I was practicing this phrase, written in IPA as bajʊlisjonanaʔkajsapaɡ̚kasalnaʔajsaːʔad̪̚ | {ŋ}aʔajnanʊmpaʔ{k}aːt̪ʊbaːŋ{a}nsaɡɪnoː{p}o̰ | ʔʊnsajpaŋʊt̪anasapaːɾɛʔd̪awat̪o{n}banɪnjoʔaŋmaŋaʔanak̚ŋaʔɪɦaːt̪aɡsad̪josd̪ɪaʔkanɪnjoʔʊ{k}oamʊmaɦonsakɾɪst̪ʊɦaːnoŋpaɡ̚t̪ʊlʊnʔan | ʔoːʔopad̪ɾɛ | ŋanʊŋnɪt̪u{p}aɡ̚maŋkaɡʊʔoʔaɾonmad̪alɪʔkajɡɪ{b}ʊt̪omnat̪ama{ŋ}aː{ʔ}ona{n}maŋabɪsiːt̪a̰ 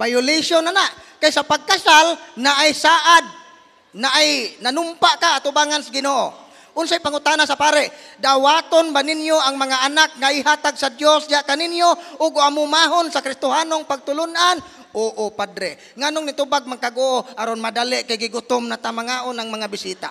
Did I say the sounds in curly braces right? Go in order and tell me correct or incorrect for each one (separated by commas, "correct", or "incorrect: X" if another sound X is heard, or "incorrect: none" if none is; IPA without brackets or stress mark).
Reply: incorrect: n, correct, correct, incorrect: ʔ, correct, incorrect: ɡ, incorrect: b, incorrect: ɡ, correct, correct, incorrect: ŋ